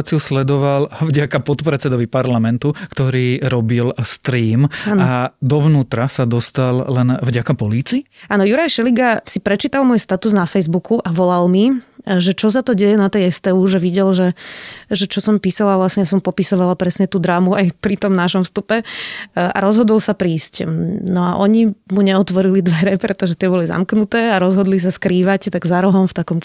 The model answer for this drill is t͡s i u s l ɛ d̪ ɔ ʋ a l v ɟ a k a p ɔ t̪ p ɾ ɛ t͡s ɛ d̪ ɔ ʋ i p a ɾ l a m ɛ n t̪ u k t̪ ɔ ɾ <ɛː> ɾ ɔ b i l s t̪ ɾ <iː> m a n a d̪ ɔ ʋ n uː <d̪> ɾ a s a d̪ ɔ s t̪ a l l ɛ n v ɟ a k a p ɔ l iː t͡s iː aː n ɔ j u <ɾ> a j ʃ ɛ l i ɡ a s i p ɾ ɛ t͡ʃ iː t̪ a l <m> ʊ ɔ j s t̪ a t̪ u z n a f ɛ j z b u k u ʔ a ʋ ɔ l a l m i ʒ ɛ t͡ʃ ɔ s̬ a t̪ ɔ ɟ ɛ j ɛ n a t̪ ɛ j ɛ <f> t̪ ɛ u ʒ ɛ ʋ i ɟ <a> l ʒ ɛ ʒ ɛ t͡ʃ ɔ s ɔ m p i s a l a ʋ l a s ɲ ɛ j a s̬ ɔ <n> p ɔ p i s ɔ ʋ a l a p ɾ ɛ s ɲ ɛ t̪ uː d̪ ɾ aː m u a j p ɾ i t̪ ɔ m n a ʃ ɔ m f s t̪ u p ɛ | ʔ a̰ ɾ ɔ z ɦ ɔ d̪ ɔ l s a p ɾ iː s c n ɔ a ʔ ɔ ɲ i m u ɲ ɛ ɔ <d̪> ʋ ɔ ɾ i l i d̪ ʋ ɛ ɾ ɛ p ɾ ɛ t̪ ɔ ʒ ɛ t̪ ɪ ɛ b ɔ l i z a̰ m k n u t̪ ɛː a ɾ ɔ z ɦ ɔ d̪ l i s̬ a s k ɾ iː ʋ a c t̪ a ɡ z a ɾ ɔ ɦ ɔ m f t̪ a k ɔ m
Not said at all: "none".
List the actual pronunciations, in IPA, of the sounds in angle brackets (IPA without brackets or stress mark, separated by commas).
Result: iː, iː, t̪, ɾ, m, s, ɛ, m, t̪